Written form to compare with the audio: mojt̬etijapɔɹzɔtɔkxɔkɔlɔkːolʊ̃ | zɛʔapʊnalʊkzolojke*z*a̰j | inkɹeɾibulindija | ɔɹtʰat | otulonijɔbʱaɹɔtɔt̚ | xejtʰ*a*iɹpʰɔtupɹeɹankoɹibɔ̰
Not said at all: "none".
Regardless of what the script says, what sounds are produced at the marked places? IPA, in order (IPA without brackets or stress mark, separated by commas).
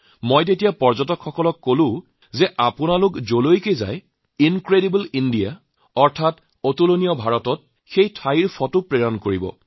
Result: z, a